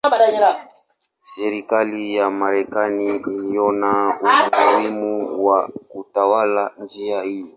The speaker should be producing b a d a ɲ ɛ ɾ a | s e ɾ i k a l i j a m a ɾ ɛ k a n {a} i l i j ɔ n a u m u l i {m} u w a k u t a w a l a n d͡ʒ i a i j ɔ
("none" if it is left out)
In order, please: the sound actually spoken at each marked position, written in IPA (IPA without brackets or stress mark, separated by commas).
i, m